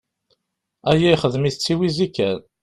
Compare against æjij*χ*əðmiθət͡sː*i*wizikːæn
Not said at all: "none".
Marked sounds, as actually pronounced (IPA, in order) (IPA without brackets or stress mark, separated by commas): χ, i